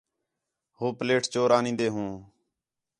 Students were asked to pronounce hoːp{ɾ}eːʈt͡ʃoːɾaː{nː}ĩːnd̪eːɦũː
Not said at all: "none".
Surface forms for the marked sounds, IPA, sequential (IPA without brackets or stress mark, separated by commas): l, n